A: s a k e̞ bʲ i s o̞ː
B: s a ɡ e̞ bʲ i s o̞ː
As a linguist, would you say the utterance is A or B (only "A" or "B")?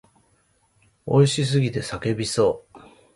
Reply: A